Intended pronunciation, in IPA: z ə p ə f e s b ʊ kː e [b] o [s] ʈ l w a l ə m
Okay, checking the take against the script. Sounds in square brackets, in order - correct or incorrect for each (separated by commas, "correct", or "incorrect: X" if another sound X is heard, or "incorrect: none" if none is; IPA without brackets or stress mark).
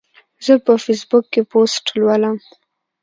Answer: incorrect: p, correct